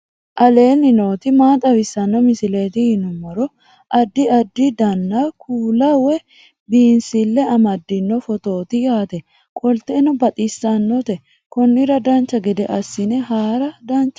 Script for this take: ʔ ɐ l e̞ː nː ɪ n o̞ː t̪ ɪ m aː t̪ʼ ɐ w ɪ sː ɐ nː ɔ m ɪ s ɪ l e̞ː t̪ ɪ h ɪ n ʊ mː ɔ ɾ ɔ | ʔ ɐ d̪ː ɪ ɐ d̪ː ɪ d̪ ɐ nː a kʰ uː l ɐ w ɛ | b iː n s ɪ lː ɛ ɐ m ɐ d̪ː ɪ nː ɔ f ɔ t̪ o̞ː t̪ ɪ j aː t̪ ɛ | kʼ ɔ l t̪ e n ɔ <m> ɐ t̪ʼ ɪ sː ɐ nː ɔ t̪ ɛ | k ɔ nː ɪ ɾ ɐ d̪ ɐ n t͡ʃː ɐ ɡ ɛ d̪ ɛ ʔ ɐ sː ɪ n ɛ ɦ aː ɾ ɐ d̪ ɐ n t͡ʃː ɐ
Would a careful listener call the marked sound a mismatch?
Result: yes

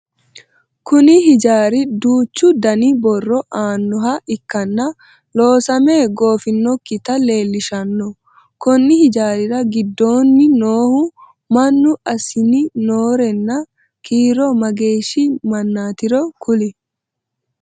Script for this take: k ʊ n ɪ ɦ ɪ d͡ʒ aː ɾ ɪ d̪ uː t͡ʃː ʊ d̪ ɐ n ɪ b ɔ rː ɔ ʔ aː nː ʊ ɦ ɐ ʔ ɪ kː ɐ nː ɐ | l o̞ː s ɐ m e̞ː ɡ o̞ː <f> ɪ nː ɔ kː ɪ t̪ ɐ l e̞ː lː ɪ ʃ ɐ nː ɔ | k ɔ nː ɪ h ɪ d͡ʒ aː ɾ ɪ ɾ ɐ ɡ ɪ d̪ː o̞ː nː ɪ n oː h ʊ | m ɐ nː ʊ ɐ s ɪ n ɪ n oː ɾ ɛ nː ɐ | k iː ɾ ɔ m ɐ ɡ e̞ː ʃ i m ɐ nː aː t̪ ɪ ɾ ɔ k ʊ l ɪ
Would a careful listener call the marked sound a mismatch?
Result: no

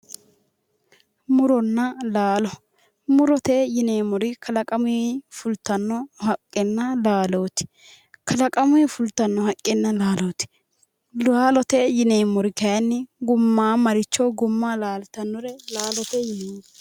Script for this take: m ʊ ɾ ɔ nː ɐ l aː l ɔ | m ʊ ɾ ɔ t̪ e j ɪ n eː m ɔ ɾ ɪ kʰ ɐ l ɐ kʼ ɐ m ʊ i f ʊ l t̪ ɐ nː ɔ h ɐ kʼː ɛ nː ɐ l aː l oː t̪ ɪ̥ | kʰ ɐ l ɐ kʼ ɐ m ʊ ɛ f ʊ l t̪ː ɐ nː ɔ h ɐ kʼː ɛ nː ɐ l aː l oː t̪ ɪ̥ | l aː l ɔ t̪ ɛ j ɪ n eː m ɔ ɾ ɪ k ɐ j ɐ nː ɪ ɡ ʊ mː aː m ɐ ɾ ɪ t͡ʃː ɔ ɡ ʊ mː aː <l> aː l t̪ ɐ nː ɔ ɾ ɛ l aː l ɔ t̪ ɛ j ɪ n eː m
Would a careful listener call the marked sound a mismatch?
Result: no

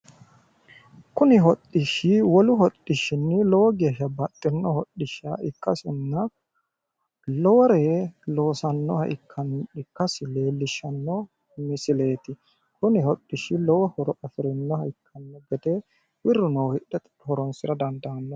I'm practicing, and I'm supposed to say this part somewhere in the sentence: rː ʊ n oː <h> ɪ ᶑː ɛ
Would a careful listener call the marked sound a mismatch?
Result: no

